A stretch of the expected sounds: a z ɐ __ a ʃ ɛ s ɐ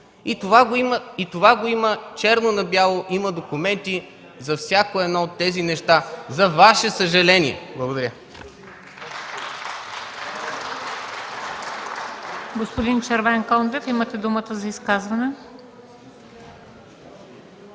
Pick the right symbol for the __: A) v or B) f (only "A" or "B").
A